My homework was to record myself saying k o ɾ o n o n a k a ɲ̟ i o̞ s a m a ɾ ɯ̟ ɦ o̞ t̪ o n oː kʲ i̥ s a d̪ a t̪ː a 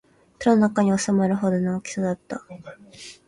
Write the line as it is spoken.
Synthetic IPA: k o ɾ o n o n a k a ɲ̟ i o̞ s a m a ɾ ɯ̟ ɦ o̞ d̪ o n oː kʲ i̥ s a d̪ a t̪ː a